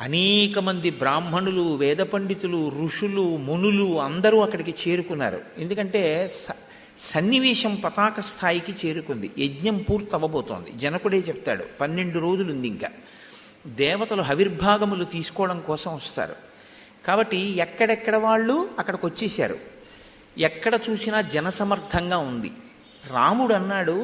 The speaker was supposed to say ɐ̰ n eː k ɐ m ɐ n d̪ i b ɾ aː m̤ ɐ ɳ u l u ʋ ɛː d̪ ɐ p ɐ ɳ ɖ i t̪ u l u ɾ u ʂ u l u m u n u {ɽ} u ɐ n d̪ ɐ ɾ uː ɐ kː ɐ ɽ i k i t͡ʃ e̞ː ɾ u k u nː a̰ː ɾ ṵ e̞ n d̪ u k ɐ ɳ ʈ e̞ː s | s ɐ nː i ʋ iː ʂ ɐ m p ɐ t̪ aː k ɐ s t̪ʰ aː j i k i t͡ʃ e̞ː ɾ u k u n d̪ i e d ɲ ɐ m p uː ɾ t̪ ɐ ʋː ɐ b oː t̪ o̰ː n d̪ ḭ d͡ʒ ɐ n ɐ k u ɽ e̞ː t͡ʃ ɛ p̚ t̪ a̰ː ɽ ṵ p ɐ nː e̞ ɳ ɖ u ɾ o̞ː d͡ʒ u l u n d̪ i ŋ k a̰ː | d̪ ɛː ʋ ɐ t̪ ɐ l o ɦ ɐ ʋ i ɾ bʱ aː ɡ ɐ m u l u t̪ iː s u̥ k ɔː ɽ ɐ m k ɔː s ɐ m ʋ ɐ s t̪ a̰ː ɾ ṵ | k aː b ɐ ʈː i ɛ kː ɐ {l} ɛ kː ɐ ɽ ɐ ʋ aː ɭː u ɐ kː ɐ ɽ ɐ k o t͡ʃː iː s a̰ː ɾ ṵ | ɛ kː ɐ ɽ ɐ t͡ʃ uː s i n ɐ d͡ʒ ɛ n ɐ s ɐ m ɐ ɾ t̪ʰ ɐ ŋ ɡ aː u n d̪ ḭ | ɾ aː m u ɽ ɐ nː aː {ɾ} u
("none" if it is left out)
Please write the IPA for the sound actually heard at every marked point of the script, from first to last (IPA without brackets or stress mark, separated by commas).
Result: l, ɽ, ɽ